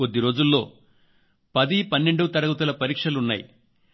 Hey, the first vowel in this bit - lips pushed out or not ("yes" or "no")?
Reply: yes